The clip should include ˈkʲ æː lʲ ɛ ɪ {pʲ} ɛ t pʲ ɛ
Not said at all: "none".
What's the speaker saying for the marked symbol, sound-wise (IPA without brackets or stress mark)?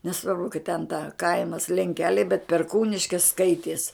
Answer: bʲ